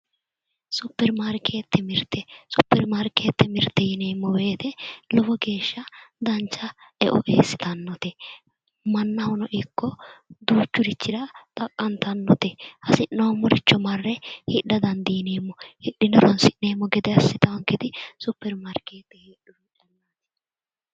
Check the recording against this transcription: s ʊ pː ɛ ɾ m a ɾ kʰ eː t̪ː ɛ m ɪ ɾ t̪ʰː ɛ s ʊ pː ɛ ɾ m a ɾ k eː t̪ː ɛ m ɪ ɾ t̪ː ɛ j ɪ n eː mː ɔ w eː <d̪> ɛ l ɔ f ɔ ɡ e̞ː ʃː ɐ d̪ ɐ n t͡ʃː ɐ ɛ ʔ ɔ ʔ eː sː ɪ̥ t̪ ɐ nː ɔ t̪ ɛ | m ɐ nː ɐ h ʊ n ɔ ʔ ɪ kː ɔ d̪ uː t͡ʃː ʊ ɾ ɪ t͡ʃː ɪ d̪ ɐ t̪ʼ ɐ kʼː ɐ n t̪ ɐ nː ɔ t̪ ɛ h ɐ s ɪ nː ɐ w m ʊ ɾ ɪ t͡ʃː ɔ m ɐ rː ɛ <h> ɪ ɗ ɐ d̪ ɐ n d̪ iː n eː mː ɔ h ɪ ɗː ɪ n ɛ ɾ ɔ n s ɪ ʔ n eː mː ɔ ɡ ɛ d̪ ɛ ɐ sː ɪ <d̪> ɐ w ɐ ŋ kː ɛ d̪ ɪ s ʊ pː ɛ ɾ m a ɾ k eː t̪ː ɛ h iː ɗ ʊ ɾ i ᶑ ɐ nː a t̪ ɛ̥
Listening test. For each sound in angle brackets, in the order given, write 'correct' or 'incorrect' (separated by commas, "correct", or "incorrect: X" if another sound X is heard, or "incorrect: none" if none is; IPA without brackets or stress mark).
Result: incorrect: t̪, correct, incorrect: t̪